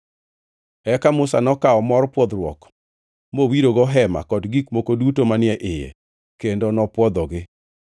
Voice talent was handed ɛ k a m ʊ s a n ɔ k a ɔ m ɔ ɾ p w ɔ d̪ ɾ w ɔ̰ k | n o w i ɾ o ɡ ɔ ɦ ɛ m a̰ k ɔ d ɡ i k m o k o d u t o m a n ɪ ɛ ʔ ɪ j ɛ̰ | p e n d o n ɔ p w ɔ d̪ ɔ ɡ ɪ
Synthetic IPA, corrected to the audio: ɛ k a m ʊ s a n ɔ k a ɔ m ɔ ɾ p w ɔ d̪ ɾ w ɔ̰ k | m o w i ɾ o ɡ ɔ ɦ ɛ m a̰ k ɔ d ɡ i k m o k o d u t o m a n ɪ ɛ ʔ ɪ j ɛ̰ | k e n d o n ɔ p w ɔ d̪ ɔ ɡ ɪ